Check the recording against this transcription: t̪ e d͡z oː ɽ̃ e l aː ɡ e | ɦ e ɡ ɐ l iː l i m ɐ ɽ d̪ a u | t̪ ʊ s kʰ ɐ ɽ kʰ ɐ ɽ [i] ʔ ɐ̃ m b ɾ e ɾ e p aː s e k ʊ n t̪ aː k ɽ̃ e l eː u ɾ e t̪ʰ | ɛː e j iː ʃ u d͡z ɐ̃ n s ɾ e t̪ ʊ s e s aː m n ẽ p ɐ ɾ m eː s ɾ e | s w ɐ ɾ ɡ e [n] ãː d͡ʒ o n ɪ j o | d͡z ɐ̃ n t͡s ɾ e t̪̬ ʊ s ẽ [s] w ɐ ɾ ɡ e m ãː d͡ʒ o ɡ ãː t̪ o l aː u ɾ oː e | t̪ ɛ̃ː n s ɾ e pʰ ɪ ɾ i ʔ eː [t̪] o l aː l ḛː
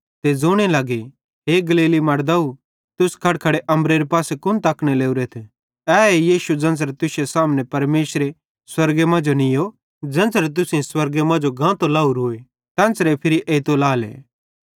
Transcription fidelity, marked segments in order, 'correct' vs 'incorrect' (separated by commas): incorrect, incorrect, correct, correct